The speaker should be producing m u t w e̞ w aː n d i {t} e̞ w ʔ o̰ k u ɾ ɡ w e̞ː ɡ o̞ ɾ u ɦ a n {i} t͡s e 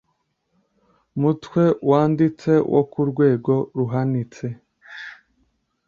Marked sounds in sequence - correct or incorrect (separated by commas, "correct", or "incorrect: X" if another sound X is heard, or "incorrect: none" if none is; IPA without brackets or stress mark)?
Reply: incorrect: t͡s, correct